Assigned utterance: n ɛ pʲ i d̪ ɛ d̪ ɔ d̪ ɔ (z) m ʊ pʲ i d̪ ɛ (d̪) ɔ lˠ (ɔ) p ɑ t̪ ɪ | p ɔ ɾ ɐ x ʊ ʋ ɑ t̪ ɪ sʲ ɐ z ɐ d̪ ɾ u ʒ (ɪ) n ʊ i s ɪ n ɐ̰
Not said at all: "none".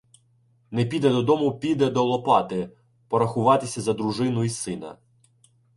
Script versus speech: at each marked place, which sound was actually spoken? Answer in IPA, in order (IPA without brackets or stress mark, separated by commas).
none, d̪, ɔ, ɪ